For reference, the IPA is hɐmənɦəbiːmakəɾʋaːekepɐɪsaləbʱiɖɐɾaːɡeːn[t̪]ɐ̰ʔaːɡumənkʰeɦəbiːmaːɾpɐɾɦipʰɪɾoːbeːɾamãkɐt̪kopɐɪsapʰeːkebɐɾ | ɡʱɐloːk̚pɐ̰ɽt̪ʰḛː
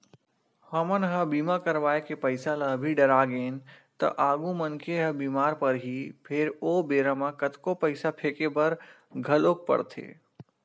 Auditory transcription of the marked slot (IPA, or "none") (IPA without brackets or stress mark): t̪